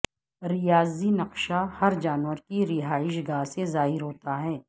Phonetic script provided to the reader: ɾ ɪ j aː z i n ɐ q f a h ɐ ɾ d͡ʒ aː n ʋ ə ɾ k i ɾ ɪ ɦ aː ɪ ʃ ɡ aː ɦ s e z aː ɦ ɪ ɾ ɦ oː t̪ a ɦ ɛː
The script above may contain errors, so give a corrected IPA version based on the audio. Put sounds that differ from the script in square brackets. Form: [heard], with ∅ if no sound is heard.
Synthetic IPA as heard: ɾ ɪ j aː z i n ɐ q [ʃ] a h ɐ ɾ d͡ʒ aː n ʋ ə ɾ k i ɾ ɪ ɦ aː ɪ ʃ ɡ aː ɦ s e z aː ɦ ɪ ɾ ɦ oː t̪ a ɦ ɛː